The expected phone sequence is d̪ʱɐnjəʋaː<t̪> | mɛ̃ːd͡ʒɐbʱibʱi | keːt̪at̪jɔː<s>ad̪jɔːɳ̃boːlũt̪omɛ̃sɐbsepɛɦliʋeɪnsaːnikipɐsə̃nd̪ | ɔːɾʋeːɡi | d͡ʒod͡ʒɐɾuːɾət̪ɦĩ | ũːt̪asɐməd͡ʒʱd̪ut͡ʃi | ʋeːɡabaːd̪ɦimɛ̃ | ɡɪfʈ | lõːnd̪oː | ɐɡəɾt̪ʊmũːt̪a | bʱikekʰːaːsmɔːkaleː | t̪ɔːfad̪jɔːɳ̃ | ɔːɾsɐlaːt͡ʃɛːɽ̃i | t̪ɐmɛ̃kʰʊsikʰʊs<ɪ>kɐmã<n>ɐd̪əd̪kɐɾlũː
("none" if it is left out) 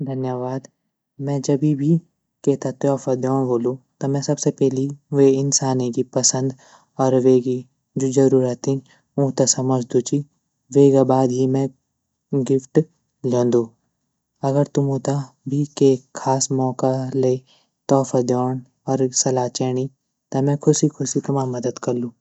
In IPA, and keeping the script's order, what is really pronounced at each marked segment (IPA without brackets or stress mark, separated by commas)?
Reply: d̪, f, i, m